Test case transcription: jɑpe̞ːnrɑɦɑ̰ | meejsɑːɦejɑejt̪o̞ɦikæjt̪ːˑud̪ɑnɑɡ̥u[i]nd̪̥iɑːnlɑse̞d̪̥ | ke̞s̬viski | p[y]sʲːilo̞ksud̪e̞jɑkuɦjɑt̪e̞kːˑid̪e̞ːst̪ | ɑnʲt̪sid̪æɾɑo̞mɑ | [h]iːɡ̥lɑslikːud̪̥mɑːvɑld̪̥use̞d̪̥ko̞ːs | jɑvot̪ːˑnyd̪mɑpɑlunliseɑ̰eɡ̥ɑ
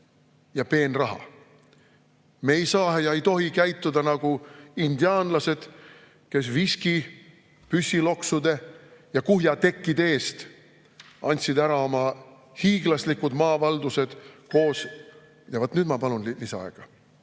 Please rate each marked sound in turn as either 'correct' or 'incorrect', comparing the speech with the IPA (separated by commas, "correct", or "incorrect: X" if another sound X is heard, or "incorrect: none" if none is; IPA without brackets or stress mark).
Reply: correct, correct, correct